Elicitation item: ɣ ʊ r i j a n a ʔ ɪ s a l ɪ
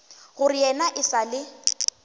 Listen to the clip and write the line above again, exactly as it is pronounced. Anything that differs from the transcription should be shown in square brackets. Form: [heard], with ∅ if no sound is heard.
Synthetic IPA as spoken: ɣ ʊ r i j [ɛ] n a ʔ ɪ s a l ɪ